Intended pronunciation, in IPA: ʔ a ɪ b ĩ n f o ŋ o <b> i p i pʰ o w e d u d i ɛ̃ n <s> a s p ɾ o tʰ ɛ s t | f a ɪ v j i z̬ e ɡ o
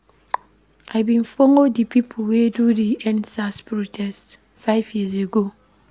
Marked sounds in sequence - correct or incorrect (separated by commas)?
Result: incorrect, correct